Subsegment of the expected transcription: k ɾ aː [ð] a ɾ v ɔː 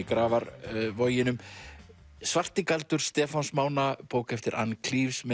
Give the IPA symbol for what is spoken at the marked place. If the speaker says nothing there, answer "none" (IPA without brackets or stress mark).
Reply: v